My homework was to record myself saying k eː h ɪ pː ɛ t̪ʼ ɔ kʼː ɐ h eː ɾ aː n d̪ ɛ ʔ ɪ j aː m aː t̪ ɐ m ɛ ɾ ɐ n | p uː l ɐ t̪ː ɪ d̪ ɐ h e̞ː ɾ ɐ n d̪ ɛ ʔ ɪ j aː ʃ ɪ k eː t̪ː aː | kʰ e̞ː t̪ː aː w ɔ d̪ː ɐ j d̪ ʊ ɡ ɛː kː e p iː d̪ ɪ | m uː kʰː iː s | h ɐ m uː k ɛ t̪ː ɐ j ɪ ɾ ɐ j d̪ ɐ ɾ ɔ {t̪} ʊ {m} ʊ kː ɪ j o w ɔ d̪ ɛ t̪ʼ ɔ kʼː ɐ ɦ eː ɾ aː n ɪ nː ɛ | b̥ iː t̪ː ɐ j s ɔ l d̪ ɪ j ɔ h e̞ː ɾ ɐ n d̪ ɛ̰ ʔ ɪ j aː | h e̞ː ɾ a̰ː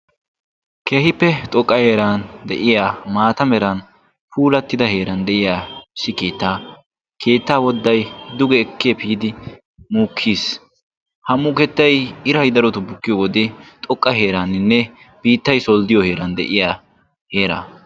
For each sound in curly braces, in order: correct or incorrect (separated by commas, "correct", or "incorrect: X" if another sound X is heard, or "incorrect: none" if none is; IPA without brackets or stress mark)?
correct, incorrect: b